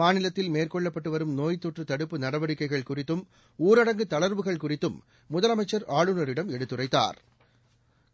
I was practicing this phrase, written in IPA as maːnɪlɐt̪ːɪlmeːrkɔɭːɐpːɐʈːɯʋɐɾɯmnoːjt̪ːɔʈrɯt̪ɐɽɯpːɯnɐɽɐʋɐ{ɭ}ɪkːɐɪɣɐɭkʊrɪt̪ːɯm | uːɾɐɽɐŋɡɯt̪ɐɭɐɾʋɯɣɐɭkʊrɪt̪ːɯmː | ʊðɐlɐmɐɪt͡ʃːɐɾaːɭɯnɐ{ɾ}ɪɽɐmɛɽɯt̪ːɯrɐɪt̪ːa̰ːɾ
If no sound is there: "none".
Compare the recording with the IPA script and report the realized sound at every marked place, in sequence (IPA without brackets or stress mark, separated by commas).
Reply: ɽ, ɾ